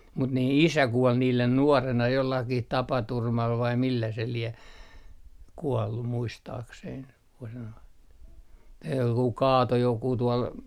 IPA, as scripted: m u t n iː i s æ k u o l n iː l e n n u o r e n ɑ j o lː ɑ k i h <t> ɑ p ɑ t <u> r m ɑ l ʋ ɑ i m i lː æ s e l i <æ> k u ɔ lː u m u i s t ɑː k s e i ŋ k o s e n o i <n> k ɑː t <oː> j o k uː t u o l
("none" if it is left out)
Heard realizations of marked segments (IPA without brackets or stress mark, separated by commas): t, u, e, n, o